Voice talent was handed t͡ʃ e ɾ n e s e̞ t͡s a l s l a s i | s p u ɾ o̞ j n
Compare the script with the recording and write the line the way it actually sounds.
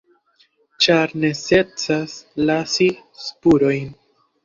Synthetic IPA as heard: t͡ʃ a ɾ n e s e̞ t͡s a s l a s i | s p u ɾ o̞ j n